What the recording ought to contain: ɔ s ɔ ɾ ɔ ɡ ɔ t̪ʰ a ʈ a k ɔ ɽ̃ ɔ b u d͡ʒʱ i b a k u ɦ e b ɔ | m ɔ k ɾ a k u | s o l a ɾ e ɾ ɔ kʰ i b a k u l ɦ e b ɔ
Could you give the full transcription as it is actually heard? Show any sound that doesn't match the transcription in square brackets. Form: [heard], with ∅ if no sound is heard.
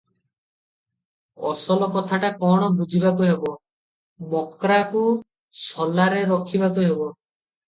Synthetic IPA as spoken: ɔ s ɔ [l] ɔ [k] ɔ t̪ʰ a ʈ a k ɔ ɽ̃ ɔ b u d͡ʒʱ i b a k u ɦ e b ɔ | m ɔ k ɾ a k u | s [ɔ] l a ɾ e ɾ ɔ kʰ i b a k u [∅] ɦ e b ɔ